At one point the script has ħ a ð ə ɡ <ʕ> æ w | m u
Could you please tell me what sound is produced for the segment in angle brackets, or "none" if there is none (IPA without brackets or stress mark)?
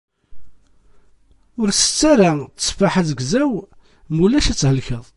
z